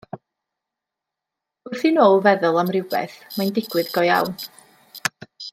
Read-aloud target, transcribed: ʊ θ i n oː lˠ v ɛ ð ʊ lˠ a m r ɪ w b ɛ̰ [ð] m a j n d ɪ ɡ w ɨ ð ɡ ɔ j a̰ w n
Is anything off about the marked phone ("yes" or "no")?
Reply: yes